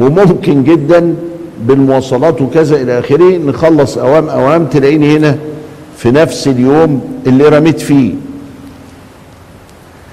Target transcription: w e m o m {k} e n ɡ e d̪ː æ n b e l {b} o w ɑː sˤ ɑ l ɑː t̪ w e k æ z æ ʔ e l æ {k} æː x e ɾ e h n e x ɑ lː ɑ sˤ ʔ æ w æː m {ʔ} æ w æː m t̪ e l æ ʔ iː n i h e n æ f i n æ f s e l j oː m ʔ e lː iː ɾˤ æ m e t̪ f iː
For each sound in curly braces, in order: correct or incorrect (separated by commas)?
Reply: correct, incorrect, incorrect, correct